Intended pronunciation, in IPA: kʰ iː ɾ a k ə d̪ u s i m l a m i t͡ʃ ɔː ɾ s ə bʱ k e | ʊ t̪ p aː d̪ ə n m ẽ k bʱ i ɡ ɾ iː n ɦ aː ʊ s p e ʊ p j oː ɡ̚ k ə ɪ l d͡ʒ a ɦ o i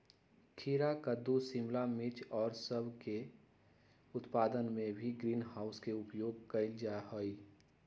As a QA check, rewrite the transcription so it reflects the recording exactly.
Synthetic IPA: kʰ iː ɾ a k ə d̪ u s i m l a m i t͡ʃ ɔː ɾ s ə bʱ k e | ʊ t̪ p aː d̪ ə n m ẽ bʱ i ɡ ɾ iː n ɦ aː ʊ s k e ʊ p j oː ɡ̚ k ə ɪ l d͡ʒ a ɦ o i